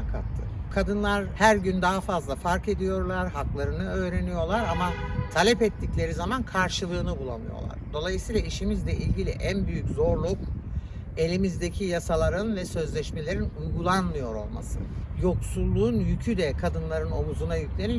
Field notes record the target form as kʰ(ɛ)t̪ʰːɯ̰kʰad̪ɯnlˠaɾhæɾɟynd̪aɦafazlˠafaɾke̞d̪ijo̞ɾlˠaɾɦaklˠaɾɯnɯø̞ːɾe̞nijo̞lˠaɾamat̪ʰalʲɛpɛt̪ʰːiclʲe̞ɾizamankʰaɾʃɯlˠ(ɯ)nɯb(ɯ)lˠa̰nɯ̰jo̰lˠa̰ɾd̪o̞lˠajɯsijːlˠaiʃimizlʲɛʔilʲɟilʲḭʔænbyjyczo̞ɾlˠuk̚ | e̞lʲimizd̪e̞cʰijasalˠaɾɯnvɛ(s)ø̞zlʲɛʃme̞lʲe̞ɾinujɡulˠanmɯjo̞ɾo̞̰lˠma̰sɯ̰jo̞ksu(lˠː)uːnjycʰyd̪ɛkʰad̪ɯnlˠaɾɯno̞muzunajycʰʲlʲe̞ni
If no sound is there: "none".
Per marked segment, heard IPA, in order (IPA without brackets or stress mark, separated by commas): a, ɯː, u, s, lˠː